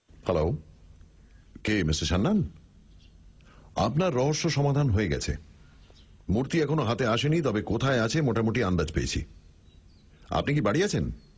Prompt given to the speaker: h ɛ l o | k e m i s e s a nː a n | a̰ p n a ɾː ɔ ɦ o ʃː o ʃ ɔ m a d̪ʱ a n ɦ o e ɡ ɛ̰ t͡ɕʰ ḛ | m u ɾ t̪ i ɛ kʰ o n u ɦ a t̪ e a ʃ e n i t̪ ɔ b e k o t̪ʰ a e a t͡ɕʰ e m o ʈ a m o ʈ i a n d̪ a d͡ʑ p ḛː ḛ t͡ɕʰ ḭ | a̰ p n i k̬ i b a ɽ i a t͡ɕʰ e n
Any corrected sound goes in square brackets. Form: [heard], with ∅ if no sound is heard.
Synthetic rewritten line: h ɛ l o | k e m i s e [ʃ] a nː a n | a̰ p n a ɾː ɔ ɦ o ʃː o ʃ ɔ m a d̪ʱ a n ɦ o e ɡ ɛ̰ t͡ɕʰ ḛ | m u ɾ t̪ i ɛ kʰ o n [o] ɦ a t̪ e a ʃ e n i t̪ ɔ b e k o t̪ʰ a e a t͡ɕʰ e m o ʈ a m o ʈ i a n d̪ a d͡ʑ p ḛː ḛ t͡ɕʰ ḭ | a̰ p n i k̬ i b a ɽ i a t͡ɕʰ e n